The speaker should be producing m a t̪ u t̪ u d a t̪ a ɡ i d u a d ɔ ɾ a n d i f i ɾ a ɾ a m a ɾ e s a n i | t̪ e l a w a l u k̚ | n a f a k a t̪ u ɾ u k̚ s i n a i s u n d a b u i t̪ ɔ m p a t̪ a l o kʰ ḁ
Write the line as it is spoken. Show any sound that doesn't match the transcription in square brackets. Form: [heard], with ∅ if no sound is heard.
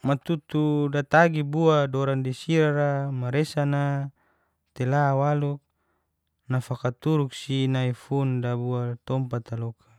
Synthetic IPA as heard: m a t̪ u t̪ u d a t̪ a ɡ i [b] u a d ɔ ɾ a n d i [s] i ɾ a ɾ a m a ɾ e s a n [a] | t̪ e l a w a l u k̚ | n a f a k a t̪ u ɾ u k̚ s i n a i [f] u n d a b u [a] t̪ ɔ m p a t̪ a l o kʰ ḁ